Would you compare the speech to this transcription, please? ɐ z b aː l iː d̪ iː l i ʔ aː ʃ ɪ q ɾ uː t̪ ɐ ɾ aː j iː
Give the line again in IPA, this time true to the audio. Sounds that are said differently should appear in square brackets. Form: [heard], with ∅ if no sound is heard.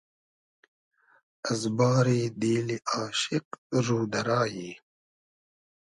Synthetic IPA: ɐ z b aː [ɾ] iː d̪ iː l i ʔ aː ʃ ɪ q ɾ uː [d̪] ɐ ɾ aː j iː